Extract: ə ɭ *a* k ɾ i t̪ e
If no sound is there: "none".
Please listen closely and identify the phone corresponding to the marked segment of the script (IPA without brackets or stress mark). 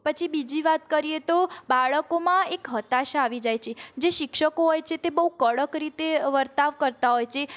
ə